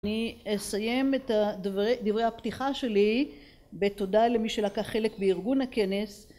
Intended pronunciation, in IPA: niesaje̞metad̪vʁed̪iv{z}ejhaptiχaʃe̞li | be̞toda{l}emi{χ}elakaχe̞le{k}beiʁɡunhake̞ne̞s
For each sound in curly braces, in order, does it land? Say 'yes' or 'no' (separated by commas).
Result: no, yes, no, yes